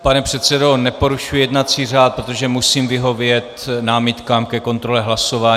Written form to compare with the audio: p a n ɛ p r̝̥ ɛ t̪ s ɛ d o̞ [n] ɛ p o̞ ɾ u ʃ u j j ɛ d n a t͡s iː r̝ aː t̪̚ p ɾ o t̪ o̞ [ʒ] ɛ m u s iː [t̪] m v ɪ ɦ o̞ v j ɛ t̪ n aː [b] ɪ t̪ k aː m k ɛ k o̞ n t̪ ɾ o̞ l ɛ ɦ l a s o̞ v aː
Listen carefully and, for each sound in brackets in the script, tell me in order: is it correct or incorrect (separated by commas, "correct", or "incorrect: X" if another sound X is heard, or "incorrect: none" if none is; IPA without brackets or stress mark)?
correct, correct, incorrect: none, incorrect: m